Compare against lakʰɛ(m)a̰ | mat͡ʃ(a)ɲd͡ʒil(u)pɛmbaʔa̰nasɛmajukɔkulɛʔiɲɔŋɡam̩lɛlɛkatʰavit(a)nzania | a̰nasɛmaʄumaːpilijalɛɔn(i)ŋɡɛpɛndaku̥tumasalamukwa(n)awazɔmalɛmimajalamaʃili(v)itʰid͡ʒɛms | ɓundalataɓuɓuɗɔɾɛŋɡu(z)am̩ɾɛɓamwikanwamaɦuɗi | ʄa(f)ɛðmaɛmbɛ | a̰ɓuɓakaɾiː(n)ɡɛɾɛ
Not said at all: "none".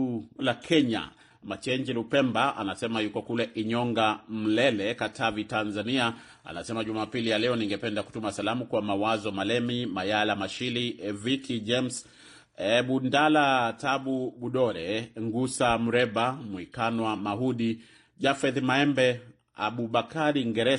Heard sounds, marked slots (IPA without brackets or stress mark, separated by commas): ɲ, ɛ, u, a, i, m, v, s, f, ŋ